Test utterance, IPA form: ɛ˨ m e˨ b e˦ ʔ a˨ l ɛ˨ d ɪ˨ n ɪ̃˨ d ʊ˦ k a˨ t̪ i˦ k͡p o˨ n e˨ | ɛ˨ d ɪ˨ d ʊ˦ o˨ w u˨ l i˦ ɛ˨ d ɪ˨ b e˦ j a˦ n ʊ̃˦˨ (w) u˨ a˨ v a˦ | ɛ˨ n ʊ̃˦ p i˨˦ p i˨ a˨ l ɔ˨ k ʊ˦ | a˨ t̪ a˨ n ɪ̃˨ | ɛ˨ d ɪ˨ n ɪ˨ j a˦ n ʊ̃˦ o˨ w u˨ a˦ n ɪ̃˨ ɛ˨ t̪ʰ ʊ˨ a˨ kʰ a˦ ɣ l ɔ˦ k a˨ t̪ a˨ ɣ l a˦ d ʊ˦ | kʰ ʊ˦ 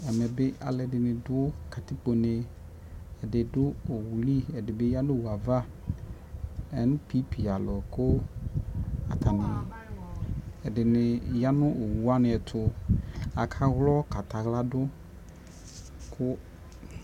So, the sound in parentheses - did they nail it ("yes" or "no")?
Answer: yes